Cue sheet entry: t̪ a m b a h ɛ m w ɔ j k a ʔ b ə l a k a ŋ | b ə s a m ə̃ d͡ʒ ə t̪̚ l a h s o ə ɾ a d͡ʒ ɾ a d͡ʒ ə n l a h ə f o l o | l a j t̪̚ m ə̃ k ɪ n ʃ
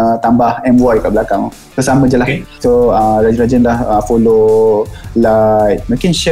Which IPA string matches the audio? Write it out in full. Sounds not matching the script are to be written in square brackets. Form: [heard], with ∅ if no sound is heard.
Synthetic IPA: t̪ a m b a h ɛ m w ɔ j k a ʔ b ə l a k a ŋ | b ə s a m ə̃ d͡ʒ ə [∅] l a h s o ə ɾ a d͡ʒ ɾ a d͡ʒ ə n l a h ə f o l o | l a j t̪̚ m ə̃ k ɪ n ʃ